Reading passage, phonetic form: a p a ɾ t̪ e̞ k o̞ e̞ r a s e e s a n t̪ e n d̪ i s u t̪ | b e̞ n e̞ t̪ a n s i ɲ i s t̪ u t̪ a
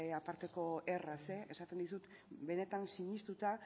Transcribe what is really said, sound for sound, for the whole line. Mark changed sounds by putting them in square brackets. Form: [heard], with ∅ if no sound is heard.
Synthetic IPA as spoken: a p a ɾ t̪ e̞ k o̞ e̞ r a s e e s a [∅] t̪ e n d̪ i s u t̪ | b e̞ n e̞ t̪ a n s i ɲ i s t̪ u t̪ a